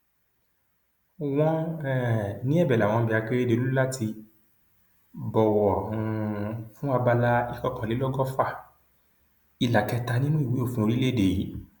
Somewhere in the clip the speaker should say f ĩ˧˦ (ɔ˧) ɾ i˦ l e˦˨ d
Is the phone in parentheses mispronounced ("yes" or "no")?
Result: yes